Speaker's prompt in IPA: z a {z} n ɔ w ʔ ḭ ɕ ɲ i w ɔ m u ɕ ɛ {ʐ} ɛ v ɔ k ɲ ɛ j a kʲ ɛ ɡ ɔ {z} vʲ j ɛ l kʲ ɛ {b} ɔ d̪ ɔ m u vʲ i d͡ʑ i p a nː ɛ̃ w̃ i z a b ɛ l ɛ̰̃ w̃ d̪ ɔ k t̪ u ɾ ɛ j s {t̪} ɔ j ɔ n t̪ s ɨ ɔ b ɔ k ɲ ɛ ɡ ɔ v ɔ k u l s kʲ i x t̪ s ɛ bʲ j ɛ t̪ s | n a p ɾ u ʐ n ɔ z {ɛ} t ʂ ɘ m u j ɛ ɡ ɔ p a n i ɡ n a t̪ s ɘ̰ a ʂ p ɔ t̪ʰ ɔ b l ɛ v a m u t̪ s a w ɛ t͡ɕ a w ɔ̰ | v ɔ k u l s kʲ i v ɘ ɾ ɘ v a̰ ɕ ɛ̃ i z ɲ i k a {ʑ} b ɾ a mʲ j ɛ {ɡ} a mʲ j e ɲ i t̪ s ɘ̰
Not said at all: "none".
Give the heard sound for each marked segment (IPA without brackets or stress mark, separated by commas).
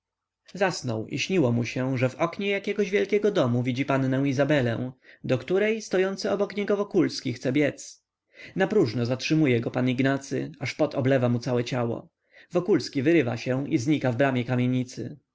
s, ʐ, ʑ, ɡ, t̪, a, v, k